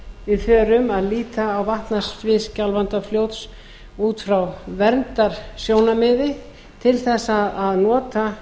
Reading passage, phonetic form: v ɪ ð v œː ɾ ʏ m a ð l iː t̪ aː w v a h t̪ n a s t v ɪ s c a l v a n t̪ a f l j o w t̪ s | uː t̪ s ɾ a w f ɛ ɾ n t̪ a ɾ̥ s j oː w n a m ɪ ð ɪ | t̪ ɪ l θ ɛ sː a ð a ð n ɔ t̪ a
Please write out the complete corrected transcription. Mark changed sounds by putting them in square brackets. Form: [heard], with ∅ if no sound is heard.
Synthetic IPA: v ɪ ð [f] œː ɾ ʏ m a ð l iː t̪ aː w v a h t̪ n a s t v ɪ s c a l v a n t̪ a f l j o w t̪ s | uː t̪ [f] ɾ a w [v] ɛ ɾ n t̪ a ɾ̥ s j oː w n a m ɪ ð ɪ | [t̪ʰ] ɪ l θ ɛ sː a ð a ð n [ɔː] t̪ a